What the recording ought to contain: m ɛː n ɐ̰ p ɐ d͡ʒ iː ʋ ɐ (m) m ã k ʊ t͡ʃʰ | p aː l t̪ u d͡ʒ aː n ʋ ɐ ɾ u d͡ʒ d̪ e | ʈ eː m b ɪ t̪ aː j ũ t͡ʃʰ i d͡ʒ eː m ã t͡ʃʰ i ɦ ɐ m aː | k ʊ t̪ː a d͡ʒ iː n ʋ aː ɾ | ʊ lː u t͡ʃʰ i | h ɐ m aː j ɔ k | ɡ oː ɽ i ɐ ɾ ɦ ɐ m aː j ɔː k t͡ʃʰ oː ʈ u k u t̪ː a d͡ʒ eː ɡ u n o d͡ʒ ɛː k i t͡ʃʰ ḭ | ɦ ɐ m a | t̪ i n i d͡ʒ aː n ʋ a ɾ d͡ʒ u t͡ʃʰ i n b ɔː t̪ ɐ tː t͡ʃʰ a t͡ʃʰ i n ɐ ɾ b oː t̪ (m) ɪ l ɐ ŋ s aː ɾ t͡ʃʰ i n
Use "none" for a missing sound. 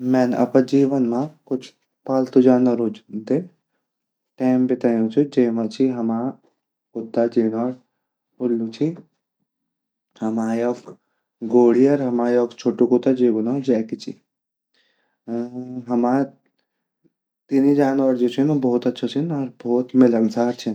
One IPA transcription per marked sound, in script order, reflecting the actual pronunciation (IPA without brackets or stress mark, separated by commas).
n, m